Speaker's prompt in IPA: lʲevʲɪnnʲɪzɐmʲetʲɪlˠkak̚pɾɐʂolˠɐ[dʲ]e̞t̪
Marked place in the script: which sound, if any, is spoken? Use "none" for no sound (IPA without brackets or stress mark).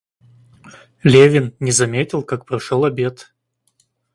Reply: bʲ